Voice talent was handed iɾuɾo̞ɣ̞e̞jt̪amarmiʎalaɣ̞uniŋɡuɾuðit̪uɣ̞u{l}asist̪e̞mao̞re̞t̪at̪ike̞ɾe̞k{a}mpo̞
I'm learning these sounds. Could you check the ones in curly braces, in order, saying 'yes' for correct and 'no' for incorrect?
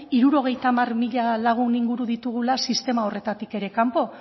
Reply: yes, yes

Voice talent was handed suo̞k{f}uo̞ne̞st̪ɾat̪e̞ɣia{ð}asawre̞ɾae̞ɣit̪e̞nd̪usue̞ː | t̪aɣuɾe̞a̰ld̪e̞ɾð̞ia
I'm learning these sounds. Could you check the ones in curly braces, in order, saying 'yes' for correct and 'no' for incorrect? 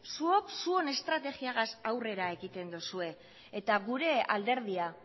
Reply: no, no

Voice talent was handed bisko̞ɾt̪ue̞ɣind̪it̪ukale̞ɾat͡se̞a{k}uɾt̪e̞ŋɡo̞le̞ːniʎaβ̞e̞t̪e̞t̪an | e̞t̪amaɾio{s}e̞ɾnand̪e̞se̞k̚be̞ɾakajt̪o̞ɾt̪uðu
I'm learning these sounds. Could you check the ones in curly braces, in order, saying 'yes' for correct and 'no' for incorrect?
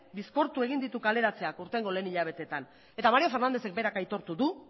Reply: yes, no

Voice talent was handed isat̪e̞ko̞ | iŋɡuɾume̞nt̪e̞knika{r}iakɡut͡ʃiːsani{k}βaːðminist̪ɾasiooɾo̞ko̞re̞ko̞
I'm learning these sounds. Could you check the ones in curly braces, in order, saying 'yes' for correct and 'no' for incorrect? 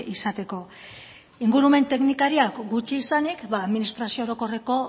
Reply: no, yes

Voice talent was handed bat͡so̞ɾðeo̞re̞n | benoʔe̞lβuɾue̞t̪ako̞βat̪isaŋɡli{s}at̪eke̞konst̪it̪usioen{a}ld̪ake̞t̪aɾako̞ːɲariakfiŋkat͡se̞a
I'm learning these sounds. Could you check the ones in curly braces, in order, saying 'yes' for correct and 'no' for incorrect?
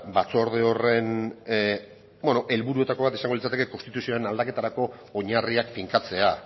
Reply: no, yes

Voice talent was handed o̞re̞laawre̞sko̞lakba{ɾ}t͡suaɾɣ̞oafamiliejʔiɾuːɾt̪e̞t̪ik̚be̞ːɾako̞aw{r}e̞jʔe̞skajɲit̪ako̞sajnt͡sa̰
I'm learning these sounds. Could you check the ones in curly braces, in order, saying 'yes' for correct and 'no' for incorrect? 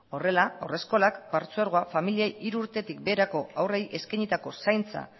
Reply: yes, yes

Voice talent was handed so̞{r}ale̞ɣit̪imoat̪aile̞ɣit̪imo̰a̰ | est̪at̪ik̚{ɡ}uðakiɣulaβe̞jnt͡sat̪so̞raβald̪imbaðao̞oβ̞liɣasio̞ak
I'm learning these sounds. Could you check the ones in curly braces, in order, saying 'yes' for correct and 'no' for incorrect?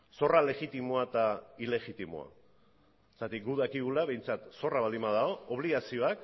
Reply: yes, yes

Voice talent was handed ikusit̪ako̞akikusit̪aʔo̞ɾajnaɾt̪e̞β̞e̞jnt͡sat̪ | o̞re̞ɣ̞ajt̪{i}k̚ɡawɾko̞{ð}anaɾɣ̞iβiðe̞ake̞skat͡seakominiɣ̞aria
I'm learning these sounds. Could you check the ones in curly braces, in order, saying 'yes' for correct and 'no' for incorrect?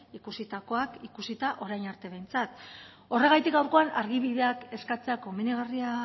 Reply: yes, no

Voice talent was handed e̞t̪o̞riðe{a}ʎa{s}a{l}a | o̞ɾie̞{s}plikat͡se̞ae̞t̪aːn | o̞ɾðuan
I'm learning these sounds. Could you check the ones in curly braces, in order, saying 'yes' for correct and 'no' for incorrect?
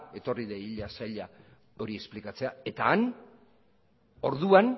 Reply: no, yes, no, yes

